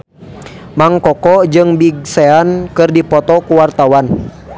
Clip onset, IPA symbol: m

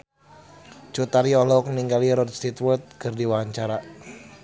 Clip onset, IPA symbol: t͡ʃ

